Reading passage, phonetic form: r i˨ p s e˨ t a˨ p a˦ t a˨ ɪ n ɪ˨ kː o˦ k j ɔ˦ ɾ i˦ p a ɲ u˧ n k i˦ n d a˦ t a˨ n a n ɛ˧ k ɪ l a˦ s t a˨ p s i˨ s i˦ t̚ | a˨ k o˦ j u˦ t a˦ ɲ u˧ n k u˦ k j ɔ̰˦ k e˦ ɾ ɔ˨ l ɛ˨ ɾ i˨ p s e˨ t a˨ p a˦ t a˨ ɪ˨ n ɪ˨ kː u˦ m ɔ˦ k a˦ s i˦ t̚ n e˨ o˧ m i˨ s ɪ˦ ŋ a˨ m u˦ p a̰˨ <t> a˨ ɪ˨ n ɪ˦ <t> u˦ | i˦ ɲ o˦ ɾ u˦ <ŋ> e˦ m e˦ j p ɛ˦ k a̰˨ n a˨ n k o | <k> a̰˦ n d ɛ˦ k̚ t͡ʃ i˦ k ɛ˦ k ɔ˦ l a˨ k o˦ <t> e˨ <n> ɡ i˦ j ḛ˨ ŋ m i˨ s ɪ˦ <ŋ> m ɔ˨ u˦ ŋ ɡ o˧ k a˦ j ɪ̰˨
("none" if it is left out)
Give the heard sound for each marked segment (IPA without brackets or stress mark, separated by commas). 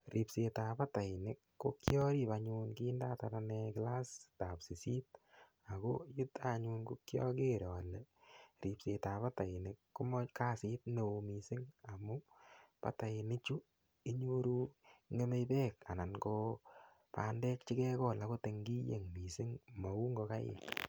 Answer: t, t͡ʃ, ŋ, p, t, ŋ, ŋ